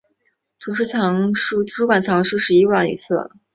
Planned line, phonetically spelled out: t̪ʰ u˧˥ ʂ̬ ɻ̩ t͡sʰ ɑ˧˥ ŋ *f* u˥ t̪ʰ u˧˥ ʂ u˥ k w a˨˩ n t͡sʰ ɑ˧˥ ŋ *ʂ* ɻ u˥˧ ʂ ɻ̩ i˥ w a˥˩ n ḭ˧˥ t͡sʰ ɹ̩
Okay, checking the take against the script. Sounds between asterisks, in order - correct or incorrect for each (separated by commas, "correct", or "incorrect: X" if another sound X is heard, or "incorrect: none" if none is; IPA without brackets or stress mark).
incorrect: ʂ, correct